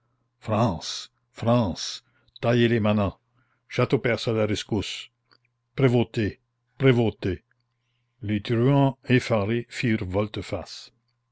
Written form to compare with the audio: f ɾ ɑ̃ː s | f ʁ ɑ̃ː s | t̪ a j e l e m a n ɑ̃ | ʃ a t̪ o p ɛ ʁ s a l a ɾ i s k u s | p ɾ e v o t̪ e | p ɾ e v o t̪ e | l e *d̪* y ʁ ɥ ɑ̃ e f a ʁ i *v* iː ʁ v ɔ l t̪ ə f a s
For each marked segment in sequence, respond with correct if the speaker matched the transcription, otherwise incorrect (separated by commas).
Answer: incorrect, incorrect